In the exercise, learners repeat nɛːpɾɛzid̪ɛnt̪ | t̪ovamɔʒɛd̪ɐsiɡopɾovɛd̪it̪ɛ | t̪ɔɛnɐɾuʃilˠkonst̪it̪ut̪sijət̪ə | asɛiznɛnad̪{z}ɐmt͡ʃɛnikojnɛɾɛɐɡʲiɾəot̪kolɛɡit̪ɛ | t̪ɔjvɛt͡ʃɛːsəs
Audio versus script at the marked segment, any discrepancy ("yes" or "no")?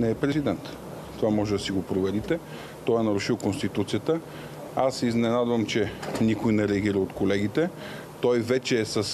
yes